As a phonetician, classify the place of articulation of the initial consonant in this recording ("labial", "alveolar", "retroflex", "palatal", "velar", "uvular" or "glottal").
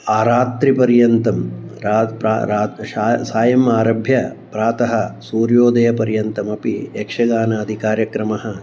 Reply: alveolar